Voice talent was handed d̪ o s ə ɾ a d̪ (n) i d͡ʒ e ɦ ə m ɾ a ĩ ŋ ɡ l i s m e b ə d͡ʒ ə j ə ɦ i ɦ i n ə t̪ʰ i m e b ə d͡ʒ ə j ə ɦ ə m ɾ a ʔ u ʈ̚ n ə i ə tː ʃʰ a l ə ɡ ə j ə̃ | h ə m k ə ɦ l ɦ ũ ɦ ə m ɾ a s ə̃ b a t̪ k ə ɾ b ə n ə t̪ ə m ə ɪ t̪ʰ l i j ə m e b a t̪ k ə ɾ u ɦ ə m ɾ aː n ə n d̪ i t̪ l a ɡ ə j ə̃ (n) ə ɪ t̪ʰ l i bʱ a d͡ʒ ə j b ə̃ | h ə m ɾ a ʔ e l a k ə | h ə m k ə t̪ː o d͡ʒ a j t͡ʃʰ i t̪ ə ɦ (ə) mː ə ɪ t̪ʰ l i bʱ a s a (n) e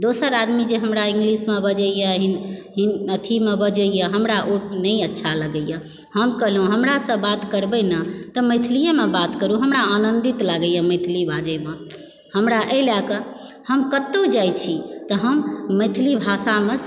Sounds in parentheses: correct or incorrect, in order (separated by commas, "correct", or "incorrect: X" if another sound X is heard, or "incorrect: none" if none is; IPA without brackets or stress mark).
incorrect: m, incorrect: m, correct, incorrect: m